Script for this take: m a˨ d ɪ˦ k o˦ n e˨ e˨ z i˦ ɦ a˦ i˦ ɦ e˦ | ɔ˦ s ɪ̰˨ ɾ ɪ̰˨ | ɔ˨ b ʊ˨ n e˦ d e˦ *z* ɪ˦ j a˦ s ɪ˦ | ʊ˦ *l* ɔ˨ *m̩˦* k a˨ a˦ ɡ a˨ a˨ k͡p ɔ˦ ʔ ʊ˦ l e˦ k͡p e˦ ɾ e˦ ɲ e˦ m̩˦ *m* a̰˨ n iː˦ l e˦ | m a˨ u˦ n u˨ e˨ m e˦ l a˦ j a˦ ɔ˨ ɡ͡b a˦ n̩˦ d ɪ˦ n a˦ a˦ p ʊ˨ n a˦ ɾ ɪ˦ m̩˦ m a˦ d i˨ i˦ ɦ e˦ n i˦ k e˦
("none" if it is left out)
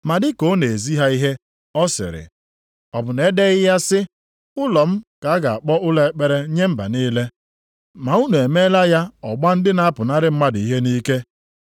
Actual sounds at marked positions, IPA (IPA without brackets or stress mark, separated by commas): ɣ, l, m̩˦, b